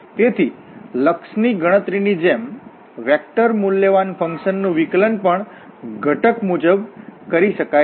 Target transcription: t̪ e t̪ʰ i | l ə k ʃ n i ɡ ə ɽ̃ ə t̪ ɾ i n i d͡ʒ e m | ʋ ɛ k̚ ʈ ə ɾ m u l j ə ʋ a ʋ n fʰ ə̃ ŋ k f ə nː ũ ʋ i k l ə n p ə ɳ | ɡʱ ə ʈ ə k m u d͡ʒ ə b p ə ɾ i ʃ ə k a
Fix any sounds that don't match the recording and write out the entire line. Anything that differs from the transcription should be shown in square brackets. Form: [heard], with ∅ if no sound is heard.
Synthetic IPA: t̪ e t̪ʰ i | l ə k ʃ n i ɡ ə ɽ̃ ə t̪ ɾ i n i d͡ʒ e m | ʋ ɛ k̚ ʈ ə ɾ m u l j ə ʋ a [∅] n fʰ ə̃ ŋ k [ʃ] ə nː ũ ʋ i k l ə n p ə ɳ | ɡʱ ə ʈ ə k m u d͡ʒ ə b [k] ə ɾ i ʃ ə k a